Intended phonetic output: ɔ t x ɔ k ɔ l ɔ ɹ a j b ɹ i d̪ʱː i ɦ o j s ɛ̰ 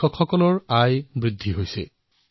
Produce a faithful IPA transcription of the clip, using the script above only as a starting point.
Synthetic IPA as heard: ɔ k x ɔ k ɔ l ɔ ɹ a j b ɹ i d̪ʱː i ɦ o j s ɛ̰